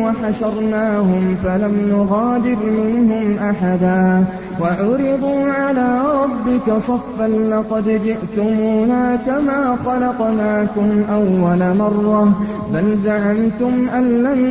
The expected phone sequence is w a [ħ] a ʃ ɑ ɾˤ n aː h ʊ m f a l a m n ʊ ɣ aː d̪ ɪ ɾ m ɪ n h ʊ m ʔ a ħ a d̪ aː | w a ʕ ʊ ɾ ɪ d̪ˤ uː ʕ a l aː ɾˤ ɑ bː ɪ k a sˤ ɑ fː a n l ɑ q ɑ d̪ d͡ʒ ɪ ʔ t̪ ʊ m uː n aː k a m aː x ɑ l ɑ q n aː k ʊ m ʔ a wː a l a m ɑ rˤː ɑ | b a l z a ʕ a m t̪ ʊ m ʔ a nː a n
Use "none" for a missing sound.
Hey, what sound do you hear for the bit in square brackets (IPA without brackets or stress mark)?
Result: ħ